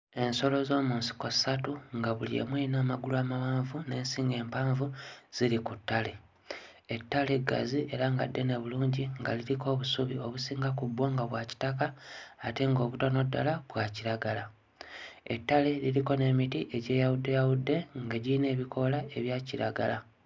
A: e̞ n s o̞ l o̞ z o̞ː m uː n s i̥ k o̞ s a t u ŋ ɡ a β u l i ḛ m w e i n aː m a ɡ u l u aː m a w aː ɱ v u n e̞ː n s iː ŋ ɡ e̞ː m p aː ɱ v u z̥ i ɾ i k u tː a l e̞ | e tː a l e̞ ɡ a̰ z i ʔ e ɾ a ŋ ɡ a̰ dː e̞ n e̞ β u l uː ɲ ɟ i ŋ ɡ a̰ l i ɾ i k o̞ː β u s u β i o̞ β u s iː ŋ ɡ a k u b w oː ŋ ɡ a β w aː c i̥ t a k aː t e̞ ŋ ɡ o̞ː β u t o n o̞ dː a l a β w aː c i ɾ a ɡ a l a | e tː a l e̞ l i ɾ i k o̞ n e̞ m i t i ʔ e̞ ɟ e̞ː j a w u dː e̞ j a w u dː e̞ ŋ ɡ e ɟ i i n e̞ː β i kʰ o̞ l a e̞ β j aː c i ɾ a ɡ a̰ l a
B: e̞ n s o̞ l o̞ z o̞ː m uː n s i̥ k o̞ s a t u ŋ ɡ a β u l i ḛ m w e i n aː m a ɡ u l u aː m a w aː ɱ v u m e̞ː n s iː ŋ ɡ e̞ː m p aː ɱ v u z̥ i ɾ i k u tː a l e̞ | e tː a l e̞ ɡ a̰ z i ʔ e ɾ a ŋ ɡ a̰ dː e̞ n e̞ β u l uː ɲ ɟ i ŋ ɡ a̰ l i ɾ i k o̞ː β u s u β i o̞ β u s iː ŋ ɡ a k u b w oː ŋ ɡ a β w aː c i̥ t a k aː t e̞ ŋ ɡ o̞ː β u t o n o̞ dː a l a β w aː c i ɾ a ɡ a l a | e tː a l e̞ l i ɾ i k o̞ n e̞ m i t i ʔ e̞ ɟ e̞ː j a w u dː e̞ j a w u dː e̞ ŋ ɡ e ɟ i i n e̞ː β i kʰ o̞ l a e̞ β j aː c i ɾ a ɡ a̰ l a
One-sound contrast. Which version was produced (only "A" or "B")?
A